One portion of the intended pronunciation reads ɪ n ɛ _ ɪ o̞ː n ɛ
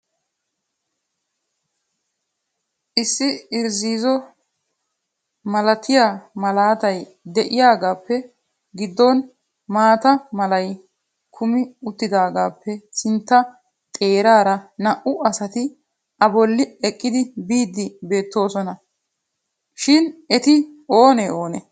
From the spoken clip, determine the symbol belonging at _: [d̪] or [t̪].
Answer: t̪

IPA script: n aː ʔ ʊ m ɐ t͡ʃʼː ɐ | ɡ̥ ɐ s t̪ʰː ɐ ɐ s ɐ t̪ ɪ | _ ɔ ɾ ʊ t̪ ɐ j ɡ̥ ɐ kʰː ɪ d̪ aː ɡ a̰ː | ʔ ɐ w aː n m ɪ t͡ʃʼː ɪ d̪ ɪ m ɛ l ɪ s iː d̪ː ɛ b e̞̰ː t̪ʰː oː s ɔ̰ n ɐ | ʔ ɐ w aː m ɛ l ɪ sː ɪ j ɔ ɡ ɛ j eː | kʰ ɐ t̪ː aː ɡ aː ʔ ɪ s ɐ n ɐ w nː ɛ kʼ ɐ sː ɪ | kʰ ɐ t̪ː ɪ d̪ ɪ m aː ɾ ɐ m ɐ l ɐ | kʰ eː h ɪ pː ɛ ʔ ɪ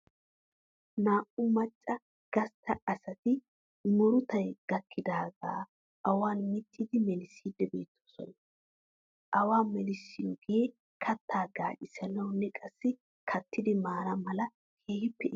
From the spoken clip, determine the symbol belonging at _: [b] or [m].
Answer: m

